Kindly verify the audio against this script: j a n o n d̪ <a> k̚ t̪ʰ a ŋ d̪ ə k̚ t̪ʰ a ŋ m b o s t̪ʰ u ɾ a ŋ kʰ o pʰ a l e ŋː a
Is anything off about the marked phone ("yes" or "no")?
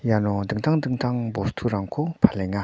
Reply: yes